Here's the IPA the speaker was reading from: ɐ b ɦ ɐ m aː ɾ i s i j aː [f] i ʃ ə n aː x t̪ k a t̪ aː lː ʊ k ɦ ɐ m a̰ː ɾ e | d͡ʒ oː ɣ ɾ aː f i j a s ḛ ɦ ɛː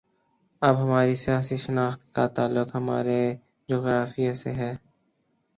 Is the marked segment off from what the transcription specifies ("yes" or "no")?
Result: yes